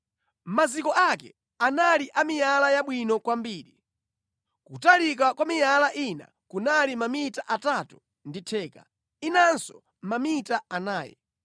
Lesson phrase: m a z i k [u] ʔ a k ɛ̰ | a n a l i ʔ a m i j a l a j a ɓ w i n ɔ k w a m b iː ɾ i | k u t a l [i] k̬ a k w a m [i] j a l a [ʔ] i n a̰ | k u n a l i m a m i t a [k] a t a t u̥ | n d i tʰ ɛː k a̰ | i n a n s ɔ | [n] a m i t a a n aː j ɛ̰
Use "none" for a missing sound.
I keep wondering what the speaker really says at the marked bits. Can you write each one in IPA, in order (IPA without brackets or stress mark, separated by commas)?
ɔ, i, i, ʔ, ʔ, m